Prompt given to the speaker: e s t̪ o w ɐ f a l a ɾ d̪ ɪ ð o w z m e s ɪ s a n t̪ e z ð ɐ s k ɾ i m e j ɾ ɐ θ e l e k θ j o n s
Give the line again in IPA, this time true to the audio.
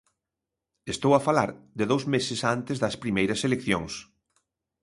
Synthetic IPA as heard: e s t̪ o w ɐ f a l a ɾ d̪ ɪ ð o w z m e s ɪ s a n t̪ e z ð ɐ s p ɾ i m e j ɾ ɐ s e l e k θ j o ŋ s